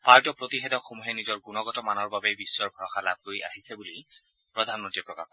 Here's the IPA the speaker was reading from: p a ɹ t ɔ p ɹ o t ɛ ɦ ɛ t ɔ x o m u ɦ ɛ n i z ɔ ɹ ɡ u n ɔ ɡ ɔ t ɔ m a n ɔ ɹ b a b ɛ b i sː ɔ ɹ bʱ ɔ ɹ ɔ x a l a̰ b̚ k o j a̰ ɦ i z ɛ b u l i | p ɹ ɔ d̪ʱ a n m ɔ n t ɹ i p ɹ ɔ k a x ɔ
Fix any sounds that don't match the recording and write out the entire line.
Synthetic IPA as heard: p a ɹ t ɔ p ɹ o t i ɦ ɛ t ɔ x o m u ɦ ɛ n i z ɔ ɹ ɡ u n ɔ ɡ ɔ t ɔ m a n ɔ ɹ b a b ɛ b i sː ɔ ɹ bʱ ɔ ɹ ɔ x a l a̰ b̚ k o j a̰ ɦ i s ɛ b u l i | p ɹ ɔ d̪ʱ a n m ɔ n t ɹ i p ɹ ɔ k a x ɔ